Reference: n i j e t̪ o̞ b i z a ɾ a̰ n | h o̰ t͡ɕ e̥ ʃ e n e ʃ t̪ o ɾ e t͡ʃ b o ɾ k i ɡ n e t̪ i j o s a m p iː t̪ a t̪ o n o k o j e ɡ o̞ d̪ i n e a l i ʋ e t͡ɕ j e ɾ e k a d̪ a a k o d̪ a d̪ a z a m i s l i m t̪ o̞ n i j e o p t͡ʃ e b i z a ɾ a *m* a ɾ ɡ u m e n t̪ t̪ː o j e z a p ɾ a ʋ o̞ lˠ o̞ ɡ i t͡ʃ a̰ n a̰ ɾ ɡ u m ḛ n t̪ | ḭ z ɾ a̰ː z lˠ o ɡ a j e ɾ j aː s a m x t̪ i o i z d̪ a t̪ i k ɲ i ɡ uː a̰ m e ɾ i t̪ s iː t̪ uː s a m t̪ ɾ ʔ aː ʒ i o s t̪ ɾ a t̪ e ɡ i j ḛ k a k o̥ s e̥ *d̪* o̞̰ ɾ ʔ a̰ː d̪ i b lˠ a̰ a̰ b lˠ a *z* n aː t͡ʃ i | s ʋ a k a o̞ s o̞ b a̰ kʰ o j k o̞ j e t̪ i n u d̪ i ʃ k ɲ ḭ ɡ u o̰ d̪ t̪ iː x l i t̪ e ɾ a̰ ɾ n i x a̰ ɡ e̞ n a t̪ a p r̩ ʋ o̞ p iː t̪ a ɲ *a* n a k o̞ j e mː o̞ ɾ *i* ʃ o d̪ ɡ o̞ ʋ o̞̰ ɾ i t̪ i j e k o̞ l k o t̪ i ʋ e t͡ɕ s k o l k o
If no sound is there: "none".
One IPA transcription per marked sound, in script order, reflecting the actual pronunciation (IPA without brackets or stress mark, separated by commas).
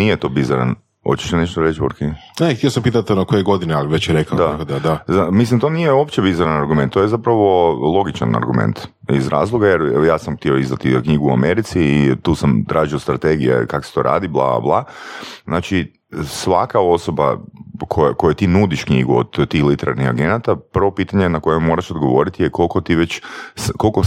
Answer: n, t̪, z, e, a